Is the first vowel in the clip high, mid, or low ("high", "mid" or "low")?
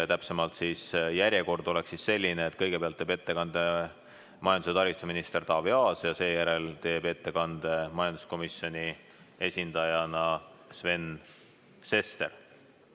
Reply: low